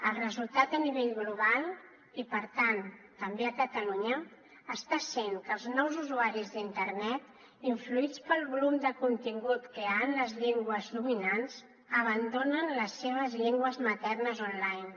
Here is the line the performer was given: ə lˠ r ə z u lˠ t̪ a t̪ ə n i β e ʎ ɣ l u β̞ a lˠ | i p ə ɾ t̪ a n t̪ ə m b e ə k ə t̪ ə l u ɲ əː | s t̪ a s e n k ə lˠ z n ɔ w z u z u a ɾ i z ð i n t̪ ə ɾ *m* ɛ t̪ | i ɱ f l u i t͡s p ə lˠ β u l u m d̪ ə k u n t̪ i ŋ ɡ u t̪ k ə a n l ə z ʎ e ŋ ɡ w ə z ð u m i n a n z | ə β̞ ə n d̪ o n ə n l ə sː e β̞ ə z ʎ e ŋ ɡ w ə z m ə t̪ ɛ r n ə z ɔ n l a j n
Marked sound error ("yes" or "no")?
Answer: yes